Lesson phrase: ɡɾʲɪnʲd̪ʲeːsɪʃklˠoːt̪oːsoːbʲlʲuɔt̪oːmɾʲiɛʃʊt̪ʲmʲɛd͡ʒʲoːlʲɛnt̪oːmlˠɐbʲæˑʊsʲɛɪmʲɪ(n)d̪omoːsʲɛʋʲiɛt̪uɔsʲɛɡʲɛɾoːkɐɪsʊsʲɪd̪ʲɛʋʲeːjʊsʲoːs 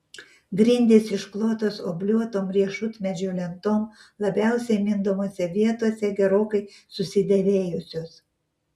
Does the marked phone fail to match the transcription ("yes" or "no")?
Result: no